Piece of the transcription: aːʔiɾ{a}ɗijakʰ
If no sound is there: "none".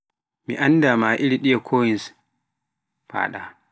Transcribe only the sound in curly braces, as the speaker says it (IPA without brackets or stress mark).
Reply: i